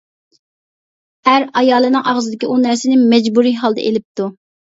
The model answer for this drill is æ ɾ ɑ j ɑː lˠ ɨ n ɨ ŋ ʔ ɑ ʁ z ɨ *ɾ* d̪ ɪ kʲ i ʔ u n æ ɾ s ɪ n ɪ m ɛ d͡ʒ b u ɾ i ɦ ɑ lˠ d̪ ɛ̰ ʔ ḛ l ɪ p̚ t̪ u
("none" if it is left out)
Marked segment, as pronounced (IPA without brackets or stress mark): none